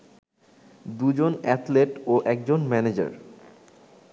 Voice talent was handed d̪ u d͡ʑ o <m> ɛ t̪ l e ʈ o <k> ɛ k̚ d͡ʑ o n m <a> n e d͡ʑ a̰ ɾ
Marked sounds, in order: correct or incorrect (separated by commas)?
incorrect, incorrect, incorrect